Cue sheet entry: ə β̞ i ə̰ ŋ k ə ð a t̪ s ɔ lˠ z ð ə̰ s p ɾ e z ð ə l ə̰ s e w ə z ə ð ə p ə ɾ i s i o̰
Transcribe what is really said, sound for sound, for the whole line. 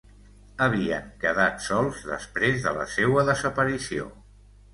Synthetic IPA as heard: ə β̞ i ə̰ ŋ k ə ð a t̪ s ɔ lˠ z ð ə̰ s p ɾ e z ð ə l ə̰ s e w ə ð ə z ə p ə ɾ i s i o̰